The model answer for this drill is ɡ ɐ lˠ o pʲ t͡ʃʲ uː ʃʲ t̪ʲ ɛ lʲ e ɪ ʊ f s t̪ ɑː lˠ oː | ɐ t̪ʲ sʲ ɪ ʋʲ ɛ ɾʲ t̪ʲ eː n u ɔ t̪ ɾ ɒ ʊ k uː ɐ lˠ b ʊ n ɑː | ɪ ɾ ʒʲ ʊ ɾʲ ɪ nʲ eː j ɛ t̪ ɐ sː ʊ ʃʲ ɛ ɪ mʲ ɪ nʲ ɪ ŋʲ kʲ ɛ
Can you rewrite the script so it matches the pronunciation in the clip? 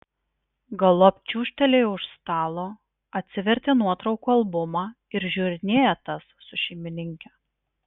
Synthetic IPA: ɡ ɐ lˠ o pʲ t͡ʃʲ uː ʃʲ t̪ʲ ɛ lʲ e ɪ ʊ ʃ s t̪ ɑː lˠ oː | ɐ t̪ʲ sʲ ɪ ʋʲ ɛ ɾʲ t̪ʲ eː n u ɔ t̪ ɾ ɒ ʊ k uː ɐ lˠ b ʊ m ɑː | ɪ ɾ ʒʲ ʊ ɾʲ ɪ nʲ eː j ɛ t̪ ɐ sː ʊ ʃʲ ɛ ɪ mʲ ɪ nʲ ɪ ŋʲ kʲ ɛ